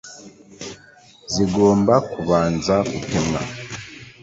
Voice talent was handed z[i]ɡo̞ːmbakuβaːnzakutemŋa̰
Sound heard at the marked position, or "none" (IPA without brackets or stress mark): i